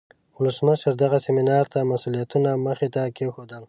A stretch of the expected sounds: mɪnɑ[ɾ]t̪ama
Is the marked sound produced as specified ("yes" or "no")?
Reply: yes